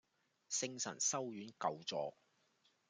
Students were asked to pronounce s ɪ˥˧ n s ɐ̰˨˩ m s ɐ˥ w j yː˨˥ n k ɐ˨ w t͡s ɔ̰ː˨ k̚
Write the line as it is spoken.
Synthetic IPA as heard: s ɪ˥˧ ŋ s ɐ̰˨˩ n s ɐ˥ w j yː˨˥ n k ɐ˨ w t͡s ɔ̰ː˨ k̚